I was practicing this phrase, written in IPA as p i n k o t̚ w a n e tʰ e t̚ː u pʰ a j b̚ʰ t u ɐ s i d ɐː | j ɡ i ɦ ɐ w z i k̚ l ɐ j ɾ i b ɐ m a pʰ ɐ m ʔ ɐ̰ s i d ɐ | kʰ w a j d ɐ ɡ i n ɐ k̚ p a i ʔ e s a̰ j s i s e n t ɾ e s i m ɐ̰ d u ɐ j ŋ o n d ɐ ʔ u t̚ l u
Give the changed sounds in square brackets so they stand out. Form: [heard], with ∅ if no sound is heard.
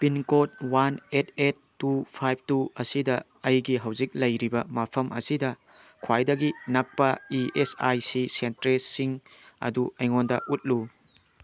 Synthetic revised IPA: p i n k o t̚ w a n e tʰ e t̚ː u pʰ a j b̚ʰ t u ɐ s i d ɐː | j ɡ i ɦ ɐ w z i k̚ l ɐ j ɾ i b ɐ m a pʰ ɐ m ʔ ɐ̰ s i d ɐ | kʰ w a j d ɐ ɡ i n ɐ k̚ p [ɐ] i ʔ e s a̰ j s i s e n t ɾ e s i [ŋ] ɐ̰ d u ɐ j ŋ o n d ɐ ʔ u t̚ l u